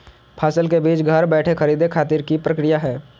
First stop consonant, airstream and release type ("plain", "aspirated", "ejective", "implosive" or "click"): aspirated